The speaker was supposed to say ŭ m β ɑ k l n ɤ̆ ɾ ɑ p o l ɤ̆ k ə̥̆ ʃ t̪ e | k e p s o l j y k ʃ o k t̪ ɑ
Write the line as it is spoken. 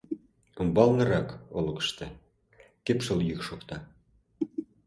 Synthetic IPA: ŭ m b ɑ l n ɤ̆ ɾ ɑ k o l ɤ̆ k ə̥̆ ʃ t̪ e | k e p ʃ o l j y k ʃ o k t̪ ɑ